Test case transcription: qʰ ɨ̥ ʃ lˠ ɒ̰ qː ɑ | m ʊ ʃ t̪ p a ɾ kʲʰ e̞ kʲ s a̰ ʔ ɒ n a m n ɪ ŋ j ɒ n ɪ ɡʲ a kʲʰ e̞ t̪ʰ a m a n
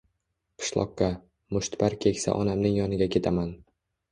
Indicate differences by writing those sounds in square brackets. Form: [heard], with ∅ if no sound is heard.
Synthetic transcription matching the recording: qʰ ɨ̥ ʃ lˠ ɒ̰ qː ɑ | m ʊ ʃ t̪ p a ɾ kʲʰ e̞ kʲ s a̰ ʔ ɒ n a m n ɪ ŋ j ɒ n ɪ ɡʲ a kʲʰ e̞ t̪ʰ a m a n